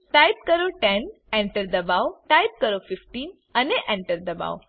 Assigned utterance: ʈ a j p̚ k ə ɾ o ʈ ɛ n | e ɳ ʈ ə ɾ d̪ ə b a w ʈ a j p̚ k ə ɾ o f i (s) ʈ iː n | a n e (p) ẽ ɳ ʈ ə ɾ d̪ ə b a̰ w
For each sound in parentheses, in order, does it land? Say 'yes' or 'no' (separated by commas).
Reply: no, no